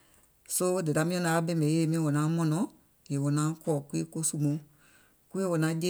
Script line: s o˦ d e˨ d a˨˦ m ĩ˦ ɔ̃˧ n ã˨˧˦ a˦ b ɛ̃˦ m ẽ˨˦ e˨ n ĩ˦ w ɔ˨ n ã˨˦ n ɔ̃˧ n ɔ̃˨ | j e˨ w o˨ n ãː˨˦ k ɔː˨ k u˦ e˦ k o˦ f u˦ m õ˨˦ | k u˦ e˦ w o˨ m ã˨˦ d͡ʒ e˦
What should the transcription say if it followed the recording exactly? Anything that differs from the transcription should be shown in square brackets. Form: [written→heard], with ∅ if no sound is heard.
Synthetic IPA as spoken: s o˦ d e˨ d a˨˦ m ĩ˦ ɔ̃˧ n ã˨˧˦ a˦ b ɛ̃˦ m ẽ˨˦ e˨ [n→m] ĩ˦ w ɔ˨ n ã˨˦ [n→m] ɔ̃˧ n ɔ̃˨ | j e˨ w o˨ n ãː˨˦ k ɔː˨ k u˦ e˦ k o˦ [f→s] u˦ m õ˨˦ | k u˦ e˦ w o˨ [m→n] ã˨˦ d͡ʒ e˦